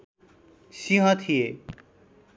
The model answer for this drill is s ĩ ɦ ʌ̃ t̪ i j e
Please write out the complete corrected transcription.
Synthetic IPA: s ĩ ɦ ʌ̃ t̪ʰ i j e